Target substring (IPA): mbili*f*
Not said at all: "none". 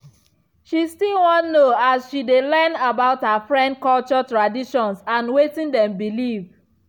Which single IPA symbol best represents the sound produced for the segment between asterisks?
v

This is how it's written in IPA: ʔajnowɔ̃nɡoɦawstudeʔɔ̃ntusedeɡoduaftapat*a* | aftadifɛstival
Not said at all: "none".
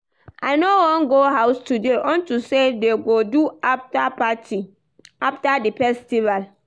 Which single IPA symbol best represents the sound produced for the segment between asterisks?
i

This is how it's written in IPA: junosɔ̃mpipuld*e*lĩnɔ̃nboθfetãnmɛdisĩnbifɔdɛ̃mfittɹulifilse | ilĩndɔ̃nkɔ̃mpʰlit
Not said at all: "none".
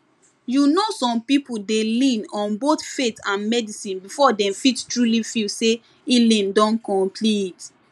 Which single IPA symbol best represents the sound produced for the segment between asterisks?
e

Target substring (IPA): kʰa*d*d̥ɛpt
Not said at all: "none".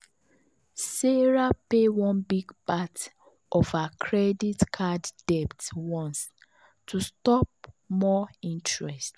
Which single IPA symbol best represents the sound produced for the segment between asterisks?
d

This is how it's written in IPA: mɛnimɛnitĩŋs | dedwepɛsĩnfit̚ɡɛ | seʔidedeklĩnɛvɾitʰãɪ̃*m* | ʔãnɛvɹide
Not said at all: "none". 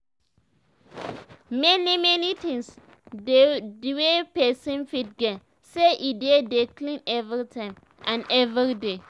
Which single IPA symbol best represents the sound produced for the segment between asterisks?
m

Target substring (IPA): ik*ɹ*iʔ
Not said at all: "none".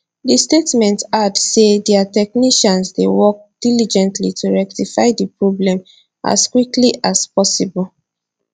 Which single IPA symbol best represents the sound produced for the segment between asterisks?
l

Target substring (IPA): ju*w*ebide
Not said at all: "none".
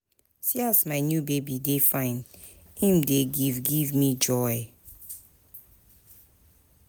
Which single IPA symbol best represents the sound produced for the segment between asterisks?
b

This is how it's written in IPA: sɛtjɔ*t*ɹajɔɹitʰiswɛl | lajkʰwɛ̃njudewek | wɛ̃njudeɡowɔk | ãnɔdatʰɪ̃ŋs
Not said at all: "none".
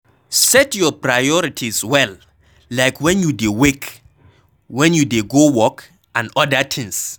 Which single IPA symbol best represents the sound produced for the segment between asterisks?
p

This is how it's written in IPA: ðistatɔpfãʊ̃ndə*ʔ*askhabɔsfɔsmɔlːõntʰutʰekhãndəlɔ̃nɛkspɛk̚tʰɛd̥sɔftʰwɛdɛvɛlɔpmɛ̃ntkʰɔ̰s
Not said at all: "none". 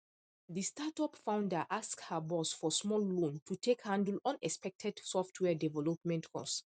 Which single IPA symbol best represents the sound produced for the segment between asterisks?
ʔ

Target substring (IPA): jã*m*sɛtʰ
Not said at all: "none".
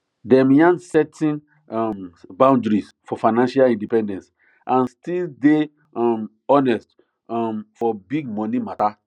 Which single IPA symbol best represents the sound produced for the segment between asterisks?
n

